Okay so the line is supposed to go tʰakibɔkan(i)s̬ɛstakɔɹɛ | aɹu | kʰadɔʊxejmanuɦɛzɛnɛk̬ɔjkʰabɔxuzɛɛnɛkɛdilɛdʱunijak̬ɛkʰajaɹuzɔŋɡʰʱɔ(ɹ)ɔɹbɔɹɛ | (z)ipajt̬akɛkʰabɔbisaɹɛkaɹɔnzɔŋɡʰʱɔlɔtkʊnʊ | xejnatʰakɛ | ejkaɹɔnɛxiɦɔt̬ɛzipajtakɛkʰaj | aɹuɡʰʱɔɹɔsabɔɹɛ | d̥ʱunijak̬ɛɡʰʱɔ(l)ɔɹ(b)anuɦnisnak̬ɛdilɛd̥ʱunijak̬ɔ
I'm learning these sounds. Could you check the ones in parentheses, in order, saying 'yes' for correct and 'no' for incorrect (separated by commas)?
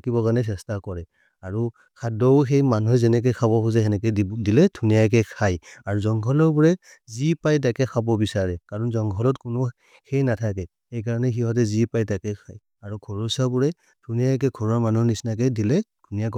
no, no, yes, no, no